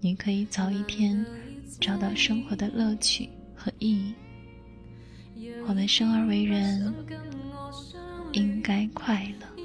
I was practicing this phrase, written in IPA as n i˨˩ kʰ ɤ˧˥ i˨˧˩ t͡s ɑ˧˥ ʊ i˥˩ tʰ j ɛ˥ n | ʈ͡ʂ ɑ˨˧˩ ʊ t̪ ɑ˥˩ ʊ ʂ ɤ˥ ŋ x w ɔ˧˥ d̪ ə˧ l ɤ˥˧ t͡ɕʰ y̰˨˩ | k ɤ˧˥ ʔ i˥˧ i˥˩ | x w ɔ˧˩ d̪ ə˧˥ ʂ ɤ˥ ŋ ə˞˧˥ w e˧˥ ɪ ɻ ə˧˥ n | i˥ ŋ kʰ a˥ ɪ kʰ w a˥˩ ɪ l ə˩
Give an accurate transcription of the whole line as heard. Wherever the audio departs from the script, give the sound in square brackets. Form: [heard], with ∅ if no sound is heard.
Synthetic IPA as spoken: n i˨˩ kʰ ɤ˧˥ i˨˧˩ t͡s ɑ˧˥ ʊ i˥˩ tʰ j ɛ˥ n | ʈ͡ʂ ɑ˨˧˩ ʊ t̪ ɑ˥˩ ʊ ʂ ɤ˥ ŋ x w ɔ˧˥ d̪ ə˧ l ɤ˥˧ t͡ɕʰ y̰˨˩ | [x] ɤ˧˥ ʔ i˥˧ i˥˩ | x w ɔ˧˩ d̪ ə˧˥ ʂ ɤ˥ ŋ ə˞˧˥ w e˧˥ ɪ ɻ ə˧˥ n | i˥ ŋ [k] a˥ ɪ kʰ w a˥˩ ɪ l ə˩